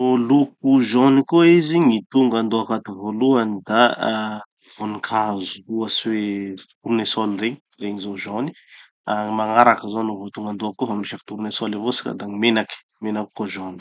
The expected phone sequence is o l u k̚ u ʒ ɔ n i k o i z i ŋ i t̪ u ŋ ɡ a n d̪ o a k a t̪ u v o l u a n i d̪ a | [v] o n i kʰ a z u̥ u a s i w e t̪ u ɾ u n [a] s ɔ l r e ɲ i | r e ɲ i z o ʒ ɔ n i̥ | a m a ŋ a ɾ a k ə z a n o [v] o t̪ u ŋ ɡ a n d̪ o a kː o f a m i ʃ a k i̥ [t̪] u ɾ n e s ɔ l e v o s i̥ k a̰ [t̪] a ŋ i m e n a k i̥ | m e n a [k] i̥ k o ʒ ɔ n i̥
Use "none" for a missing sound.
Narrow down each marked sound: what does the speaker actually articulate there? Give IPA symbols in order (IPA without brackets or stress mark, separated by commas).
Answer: v, e, v, t̪, d̪, k